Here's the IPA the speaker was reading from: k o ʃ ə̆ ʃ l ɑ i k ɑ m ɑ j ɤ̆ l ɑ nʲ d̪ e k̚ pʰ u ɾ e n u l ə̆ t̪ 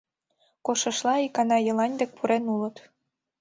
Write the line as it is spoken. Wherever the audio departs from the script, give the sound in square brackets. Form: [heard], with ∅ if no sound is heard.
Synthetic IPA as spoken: k o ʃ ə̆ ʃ l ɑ i k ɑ [n] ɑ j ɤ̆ l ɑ nʲ d̪ e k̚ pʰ u ɾ e n u l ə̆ t̪